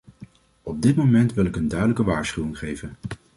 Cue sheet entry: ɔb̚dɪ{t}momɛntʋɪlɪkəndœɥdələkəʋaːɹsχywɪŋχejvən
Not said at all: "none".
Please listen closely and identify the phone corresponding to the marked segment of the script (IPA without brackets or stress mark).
t